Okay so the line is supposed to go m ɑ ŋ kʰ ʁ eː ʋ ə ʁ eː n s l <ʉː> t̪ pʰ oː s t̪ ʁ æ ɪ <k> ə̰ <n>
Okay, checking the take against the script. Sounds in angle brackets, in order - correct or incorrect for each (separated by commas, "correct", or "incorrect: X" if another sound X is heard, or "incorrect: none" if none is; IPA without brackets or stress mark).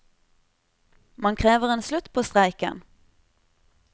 incorrect: ʉ, correct, correct